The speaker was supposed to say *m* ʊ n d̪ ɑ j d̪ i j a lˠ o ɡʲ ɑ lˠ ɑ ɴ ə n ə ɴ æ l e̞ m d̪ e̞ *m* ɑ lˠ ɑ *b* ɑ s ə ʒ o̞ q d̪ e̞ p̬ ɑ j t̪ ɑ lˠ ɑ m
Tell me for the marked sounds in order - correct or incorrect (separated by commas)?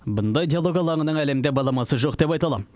incorrect, incorrect, incorrect